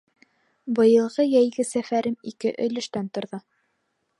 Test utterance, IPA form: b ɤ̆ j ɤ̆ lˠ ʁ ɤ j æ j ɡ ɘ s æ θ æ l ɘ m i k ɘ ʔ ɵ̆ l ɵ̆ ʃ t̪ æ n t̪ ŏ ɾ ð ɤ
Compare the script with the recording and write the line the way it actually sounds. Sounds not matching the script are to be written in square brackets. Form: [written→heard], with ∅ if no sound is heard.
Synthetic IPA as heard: b ɤ̆ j ɤ̆ lˠ ʁ ɤ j æ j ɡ ɘ s æ [θ→f] æ [l→ɾ] ɘ m i k ɘ ʔ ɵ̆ l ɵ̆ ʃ t̪ æ n t̪ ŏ ɾ ð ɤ

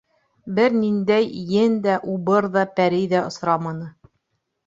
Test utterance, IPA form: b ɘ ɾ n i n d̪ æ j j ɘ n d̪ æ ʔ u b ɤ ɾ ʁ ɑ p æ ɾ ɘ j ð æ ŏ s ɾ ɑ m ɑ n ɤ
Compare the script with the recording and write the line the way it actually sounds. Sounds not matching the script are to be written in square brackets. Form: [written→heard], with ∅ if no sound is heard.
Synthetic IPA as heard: b ɘ ɾ n i n d̪ æ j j ɘ n d̪ æ ʔ u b ɤ ɾ [ʁ→ð] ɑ p æ ɾ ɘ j ð æ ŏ s ɾ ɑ m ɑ n ɤ

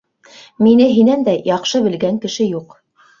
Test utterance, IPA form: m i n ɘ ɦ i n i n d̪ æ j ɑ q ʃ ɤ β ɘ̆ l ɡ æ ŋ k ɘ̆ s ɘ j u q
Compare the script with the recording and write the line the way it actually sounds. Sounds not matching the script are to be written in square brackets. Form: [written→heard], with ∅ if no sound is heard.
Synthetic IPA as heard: m i n ɘ ɦ i n [i→æ] n d̪ æ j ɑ q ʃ ɤ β ɘ̆ l ɡ æ ŋ k ɘ̆ [s→ʃ] ɘ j u q

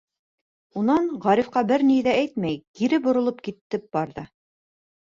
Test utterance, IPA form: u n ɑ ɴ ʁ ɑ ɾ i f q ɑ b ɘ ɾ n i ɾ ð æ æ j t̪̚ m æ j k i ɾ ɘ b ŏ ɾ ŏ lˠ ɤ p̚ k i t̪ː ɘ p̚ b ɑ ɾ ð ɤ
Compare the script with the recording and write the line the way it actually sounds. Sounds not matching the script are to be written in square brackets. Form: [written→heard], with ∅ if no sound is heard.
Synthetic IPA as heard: u n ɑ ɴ ʁ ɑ ɾ i f q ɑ b ɘ ɾ n i [ɾ→∅] ð æ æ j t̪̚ m æ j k i ɾ ɘ b ŏ ɾ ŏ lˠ ɤ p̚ k i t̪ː ɘ p̚ b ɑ ɾ ð ɤ

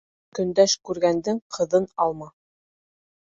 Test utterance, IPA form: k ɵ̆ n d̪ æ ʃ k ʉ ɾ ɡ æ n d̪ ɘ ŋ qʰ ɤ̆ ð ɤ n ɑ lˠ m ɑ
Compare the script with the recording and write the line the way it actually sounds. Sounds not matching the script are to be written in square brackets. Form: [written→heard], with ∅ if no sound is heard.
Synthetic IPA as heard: k ɵ̆ n d̪ æ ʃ k ʉ ɾ ɡ æ n d̪ ɘ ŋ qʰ ɤ̆ ð ɤ n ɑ lˠ m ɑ

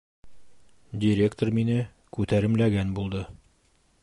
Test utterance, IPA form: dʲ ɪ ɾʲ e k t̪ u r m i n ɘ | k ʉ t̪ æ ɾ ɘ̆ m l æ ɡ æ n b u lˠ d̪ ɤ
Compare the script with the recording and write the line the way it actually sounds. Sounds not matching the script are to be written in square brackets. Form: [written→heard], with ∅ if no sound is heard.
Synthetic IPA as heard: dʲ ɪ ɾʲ e k t̪ [u→o] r m i n ɘ | k ʉ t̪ æ ɾ ɘ̆ m l æ ɡ æ n b u lˠ d̪ ɤ

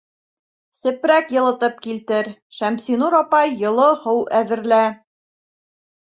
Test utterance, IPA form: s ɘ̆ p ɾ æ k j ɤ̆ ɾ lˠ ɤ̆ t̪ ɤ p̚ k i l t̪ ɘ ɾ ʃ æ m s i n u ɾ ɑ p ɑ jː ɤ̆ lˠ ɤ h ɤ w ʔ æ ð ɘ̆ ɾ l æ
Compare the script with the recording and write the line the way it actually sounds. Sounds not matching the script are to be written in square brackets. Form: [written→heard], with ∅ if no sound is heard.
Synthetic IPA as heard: s ɘ̆ p ɾ æ k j ɤ̆ [ɾ→∅] lˠ ɤ̆ t̪ ɤ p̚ k i l t̪ ɘ ɾ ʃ æ m s i n u ɾ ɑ p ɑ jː ɤ̆ lˠ ɤ h ɤ w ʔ æ ð ɘ̆ ɾ l æ

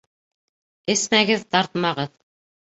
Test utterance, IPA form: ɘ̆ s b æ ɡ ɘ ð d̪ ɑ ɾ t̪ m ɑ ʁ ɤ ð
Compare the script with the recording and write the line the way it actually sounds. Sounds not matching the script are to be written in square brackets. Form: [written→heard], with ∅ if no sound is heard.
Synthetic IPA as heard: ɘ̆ s [b→m] æ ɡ ɘ ð [d̪→t̪] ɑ ɾ t̪ m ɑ ʁ ɤ ð

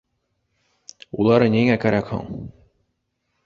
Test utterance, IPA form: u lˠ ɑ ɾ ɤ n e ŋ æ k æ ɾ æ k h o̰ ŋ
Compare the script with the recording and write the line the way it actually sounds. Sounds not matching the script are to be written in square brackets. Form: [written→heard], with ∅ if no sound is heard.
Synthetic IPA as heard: u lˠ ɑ ɾ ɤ n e ŋ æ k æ ɾ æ k h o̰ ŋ

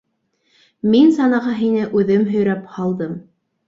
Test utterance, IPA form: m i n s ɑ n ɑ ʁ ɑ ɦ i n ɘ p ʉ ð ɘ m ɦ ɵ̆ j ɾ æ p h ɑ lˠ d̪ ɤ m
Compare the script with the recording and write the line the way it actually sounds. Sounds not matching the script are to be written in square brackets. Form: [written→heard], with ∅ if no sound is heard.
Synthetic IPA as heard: m i n s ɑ n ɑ ʁ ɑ ɦ i n ɘ [p→ʔ] ʉ ð ɘ m ɦ ɵ̆ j ɾ æ p h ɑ lˠ d̪ ɤ m

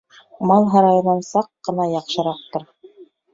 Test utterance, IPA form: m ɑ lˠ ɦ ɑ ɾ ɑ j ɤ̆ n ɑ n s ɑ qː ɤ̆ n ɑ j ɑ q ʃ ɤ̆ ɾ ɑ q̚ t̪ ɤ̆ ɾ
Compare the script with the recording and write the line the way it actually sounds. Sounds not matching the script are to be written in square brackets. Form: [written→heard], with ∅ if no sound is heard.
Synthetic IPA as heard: m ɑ lˠ ɦ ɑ ɾ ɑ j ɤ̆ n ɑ n s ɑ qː ɤ̆ n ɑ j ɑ q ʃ ɤ̆ ɾ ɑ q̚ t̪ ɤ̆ ɾ

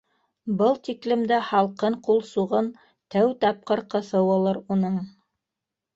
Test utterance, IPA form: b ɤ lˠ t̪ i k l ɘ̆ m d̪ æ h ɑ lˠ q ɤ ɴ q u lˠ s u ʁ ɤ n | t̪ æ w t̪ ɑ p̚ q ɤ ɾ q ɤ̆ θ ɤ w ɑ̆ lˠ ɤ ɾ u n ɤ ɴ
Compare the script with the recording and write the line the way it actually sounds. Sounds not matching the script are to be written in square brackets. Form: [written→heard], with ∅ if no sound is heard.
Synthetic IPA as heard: b ɤ lˠ t̪ i k l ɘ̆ m d̪ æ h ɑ lˠ q ɤ ɴ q u lˠ s u ʁ ɤ n | t̪ æ w t̪ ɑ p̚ q ɤ ɾ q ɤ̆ θ ɤ w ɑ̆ lˠ ɤ ɾ u n ɤ ɴ

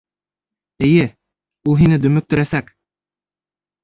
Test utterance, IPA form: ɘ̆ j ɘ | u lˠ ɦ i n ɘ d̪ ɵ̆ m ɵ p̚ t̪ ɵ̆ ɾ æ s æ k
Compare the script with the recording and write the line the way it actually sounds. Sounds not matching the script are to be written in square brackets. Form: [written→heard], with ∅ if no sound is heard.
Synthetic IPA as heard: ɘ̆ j ɘ | u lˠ ɦ i n ɘ d̪ ɵ̆ m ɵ [p̚→k̚] t̪ ɵ̆ ɾ æ s æ k

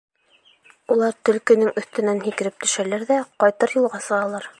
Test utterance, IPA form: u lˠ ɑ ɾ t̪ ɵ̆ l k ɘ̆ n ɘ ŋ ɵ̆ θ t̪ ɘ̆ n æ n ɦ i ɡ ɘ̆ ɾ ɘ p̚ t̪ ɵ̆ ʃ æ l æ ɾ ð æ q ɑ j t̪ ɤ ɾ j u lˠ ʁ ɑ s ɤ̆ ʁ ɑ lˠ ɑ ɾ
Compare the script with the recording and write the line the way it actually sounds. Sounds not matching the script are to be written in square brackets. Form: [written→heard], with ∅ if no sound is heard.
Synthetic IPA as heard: u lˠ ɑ ɾ t̪ ɵ̆ l k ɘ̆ n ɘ ŋ ɵ̆ θ t̪ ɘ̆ n æ n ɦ i [ɡ→k] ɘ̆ ɾ ɘ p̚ t̪ ɵ̆ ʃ æ l æ ɾ ð æ q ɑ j t̪ ɤ ɾ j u lˠ ʁ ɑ s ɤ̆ ʁ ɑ lˠ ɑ ɾ

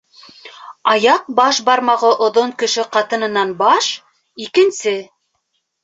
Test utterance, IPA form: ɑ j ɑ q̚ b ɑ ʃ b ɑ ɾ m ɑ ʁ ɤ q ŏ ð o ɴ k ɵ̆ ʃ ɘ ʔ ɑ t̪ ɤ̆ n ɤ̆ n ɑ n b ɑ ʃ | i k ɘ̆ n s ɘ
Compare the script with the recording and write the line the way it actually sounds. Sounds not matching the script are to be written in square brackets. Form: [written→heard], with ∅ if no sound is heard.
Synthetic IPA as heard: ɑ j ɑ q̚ b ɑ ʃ b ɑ ɾ m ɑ ʁ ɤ [q→ʔ] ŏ ð o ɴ k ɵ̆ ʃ ɘ [ʔ→q] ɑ t̪ ɤ̆ n ɤ̆ n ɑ n b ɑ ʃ | i k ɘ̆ n s ɘ

